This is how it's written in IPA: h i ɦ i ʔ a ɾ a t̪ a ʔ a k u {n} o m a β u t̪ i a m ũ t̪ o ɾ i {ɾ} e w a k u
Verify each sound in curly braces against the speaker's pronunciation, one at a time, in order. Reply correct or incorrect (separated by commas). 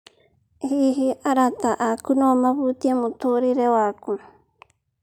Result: correct, correct